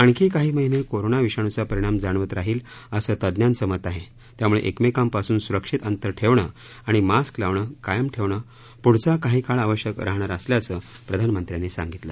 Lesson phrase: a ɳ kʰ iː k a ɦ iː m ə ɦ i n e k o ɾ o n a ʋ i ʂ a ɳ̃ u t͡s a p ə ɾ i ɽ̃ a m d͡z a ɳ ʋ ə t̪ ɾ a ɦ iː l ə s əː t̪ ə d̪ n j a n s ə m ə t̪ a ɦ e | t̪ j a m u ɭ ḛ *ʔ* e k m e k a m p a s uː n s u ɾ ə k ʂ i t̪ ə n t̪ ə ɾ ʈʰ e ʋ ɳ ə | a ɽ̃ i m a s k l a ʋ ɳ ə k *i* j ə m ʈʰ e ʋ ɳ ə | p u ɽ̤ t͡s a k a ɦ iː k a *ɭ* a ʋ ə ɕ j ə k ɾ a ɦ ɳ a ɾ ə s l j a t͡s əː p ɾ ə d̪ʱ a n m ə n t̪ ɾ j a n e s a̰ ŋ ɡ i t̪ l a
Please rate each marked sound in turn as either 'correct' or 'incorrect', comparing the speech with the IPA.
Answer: correct, incorrect, correct

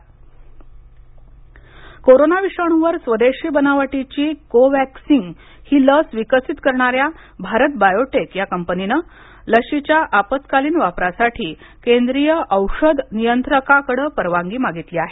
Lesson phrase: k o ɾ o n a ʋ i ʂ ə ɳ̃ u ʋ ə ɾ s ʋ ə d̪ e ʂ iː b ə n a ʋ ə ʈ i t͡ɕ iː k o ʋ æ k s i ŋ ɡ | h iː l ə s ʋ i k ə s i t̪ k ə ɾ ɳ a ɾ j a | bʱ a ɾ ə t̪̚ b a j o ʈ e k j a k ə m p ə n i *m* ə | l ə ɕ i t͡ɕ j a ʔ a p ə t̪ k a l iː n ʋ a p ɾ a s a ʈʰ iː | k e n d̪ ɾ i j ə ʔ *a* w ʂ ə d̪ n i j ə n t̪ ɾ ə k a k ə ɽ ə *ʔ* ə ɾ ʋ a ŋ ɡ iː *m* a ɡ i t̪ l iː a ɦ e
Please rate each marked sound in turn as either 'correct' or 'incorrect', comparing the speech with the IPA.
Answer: incorrect, incorrect, incorrect, correct

